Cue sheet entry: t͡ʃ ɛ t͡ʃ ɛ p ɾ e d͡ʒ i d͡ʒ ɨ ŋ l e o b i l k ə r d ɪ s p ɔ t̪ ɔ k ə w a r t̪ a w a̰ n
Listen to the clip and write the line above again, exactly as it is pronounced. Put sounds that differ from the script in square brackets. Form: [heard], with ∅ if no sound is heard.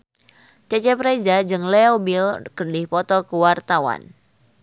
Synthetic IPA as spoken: t͡ʃ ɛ t͡ʃ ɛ p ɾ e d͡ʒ [a] d͡ʒ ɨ ŋ l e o b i l k ə r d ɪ [h] p ɔ t̪ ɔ k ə w a r t̪ a w a̰ n